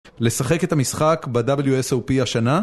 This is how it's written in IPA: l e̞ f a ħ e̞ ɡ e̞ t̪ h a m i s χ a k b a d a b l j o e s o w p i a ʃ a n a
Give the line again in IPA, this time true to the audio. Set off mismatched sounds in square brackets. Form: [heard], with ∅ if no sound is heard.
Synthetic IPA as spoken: l e̞ [s] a [χ] e̞ [k] e̞ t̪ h a m i s χ a k b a d a b l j [u] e s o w p i a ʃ a n a